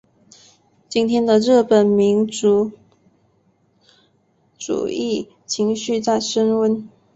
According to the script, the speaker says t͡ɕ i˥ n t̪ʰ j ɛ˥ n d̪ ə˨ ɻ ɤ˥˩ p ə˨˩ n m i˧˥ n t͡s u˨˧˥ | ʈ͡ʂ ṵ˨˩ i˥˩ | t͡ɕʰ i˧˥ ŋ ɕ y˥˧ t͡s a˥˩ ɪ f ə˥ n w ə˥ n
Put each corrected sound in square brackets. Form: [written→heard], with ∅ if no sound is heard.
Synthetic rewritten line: t͡ɕ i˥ n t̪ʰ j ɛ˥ n d̪ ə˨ ɻ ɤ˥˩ p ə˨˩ n m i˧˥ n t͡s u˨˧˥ | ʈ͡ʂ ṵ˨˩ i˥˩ | t͡ɕʰ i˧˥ ŋ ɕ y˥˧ t͡s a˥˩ ɪ [f→ʂ] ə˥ n w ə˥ n